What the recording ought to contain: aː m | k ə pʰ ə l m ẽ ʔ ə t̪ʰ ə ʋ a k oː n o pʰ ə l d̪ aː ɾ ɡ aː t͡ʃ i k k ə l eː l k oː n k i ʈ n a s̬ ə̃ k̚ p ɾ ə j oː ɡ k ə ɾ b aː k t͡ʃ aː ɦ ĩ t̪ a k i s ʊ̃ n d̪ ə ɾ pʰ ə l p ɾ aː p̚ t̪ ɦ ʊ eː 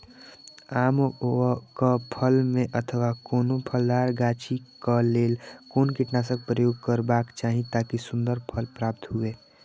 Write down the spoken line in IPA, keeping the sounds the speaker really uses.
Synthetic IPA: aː m | k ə pʰ ə l m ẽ ʔ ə t̪ʰ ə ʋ a k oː n o pʰ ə l d̪ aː ɾ ɡ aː t͡ʃ i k k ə l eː l k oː n k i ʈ n a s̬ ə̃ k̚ p ɾ ə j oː ɡ k ə ɾ b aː k t͡ʃ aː ɦ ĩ t̪ a k i s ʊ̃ n d̪ ə ɾ pʰ ə l p ɾ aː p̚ t̪ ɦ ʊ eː